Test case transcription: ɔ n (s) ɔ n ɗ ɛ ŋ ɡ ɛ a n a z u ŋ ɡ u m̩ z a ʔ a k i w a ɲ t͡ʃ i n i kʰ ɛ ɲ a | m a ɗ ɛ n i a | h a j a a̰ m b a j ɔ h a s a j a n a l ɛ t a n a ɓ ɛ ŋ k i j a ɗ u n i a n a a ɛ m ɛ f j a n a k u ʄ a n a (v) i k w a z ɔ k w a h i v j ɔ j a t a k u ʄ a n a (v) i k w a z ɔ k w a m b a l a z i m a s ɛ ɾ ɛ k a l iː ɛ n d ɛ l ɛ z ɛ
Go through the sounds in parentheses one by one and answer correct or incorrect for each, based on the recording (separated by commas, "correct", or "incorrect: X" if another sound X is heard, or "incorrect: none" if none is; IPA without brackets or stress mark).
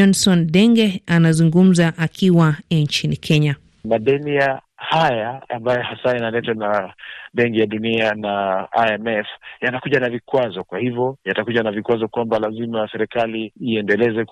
correct, correct, correct